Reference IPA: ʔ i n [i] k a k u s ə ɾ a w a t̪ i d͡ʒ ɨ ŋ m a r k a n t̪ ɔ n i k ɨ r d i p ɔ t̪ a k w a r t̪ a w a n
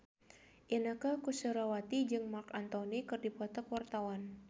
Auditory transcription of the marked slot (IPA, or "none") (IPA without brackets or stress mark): a